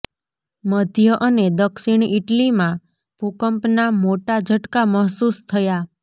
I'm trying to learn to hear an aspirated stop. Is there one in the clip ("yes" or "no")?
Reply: yes